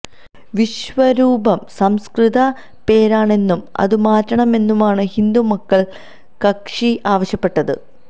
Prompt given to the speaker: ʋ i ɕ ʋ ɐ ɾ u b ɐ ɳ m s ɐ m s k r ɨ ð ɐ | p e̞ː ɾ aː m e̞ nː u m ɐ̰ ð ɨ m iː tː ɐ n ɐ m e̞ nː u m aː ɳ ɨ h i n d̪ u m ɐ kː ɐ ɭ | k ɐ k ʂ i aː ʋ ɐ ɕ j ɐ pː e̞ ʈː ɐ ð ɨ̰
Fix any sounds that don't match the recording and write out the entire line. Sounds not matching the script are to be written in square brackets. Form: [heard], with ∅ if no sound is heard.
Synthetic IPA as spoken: ʋ i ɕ ʋ ɐ ɾ [uː] b ɐ [∅] m s ɐ m s k r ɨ ð ɐ | p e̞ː ɾ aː [ɳ] e̞ nː u m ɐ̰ ð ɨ m [aː] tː ɐ [ɳ] ɐ m e̞ nː u m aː ɳ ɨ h i n d̪ u m ɐ kː ɐ ɭ | k ɐ k ʂ i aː ʋ ɐ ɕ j ɐ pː e̞ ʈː ɐ ð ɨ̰